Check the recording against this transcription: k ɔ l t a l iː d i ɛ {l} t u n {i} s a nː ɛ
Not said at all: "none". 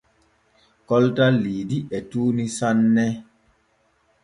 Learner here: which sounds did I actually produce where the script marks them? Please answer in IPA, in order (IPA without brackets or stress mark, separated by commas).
none, i